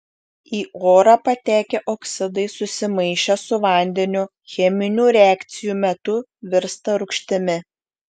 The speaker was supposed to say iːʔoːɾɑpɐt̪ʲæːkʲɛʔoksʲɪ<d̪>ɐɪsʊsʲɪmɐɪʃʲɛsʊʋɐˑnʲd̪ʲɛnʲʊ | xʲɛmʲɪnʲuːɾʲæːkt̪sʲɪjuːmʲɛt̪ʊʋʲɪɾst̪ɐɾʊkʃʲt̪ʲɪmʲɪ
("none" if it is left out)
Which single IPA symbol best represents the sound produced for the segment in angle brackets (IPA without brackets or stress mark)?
d̪